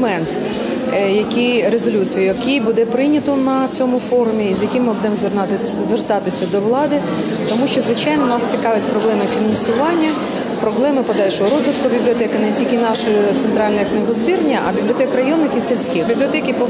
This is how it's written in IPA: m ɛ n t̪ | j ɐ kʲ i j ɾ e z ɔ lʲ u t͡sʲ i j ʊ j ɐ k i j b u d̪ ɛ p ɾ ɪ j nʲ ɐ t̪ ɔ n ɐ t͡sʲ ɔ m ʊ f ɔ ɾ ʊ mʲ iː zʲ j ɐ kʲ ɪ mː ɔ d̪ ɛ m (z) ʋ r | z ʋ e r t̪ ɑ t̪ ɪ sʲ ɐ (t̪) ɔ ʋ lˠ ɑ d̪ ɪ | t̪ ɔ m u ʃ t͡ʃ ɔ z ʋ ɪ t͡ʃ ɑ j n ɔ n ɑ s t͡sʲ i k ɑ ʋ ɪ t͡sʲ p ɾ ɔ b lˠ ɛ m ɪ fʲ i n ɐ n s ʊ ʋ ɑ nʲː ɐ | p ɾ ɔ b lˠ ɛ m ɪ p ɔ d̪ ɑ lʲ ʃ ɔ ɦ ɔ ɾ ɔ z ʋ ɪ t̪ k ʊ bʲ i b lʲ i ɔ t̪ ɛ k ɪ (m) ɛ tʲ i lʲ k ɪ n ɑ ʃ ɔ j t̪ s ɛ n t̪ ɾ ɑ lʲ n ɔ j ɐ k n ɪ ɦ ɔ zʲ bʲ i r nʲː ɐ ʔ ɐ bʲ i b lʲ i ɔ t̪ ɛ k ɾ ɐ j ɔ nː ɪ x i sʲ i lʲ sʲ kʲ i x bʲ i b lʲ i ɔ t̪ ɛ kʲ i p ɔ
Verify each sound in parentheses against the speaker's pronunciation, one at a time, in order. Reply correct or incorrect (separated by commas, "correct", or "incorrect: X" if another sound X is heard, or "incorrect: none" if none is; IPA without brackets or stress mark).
correct, incorrect: d̪, incorrect: n